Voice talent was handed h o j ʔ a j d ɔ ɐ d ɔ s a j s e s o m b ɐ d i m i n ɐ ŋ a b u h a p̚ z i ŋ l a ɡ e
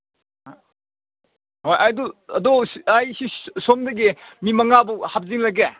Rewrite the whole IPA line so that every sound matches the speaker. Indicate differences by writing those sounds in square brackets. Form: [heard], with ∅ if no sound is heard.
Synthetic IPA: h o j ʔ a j d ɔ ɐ d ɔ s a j s [i] s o m [d] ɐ [ɡ] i m i [m] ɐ ŋ a b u h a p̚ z i ŋ l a ɡ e